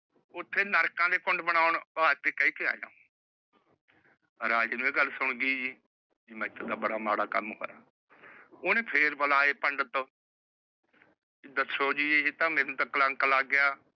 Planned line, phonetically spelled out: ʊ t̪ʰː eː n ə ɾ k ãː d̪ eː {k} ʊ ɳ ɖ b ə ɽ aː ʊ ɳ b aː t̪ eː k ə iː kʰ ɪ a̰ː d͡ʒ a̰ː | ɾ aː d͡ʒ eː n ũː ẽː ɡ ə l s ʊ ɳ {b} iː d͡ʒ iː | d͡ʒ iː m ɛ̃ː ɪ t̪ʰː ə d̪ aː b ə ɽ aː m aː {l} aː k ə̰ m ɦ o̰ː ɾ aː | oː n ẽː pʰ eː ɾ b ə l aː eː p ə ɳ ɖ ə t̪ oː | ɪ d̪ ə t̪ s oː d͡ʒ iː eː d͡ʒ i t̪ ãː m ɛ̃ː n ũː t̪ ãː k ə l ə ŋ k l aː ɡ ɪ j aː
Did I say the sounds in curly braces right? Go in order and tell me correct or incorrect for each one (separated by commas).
correct, incorrect, incorrect